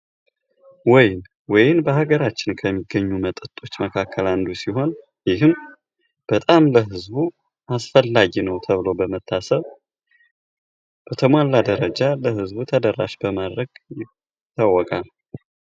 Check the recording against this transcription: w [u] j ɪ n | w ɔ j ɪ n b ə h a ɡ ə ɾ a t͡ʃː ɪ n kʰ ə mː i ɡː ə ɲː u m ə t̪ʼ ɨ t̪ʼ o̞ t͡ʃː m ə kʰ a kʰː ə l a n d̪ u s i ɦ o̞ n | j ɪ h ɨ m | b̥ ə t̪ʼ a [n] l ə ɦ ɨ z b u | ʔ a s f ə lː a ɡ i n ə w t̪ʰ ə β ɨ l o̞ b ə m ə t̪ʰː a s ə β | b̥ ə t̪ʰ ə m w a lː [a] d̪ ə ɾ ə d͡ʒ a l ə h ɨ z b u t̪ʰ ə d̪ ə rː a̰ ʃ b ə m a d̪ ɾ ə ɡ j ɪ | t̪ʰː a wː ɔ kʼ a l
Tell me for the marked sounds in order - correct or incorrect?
incorrect: ɔ, incorrect: m, correct

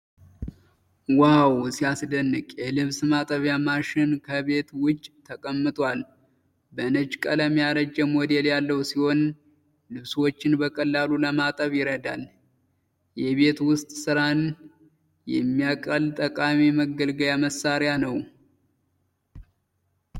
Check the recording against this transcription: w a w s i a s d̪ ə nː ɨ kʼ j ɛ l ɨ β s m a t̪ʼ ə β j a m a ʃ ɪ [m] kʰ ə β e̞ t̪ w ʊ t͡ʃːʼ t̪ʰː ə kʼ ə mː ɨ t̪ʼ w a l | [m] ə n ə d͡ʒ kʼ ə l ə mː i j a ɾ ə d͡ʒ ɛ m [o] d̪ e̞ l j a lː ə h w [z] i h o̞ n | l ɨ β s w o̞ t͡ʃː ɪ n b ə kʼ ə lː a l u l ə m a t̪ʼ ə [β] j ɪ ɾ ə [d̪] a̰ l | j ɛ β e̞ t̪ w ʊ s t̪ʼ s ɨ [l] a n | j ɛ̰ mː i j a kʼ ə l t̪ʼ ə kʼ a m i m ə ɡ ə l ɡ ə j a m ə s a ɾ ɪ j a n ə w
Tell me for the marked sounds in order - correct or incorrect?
incorrect: n, incorrect: b, correct, incorrect: s, correct, correct, incorrect: ɾ

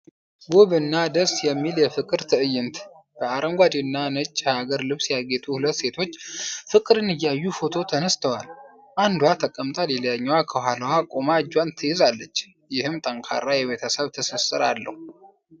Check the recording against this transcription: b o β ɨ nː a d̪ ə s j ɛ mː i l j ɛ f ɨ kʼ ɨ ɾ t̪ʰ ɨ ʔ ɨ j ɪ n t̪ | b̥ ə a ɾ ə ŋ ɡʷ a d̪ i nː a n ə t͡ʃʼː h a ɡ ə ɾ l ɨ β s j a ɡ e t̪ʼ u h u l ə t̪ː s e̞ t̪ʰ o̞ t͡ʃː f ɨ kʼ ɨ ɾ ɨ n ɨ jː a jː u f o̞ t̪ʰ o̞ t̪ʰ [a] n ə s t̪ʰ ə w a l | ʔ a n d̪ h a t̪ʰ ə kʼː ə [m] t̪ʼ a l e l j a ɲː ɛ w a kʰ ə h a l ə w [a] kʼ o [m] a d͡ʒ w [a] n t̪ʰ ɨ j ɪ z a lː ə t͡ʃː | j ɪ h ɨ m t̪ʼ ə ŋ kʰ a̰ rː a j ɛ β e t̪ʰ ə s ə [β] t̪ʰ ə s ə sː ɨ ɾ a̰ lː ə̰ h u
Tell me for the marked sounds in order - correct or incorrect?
incorrect: ə, correct, correct, correct, correct, correct

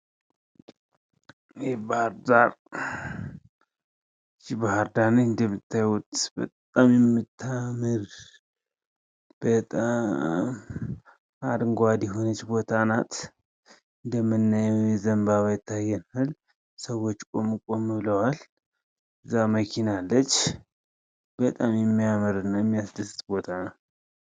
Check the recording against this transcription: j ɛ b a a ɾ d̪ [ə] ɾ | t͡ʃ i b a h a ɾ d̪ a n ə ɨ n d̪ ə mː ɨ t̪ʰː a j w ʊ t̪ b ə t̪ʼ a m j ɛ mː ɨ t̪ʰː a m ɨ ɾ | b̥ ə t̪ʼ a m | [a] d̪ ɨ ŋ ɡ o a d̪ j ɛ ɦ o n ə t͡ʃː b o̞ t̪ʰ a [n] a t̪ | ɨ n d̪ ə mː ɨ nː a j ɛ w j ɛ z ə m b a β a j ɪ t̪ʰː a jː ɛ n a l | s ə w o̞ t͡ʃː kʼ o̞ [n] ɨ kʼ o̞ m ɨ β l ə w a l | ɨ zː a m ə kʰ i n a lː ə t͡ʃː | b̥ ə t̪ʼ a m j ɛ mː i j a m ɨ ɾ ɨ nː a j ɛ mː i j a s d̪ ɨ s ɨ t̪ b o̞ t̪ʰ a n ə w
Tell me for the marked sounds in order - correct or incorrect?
incorrect: a, correct, correct, incorrect: m

